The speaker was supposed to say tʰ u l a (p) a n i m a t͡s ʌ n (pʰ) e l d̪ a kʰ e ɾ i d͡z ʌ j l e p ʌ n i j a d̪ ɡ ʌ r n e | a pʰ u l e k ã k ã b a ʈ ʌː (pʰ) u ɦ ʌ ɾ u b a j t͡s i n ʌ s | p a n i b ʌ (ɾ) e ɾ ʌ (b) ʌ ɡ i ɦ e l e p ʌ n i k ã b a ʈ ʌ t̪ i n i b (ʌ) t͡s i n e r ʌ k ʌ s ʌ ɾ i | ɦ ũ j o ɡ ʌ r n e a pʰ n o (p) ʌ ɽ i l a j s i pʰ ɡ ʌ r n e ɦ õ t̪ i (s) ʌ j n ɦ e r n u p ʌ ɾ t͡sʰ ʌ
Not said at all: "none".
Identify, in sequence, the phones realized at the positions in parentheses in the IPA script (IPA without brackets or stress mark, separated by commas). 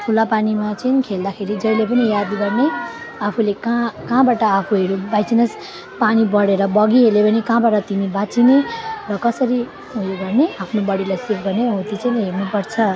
p, kʰ, pʰ, ɽ, b, a, b, t͡s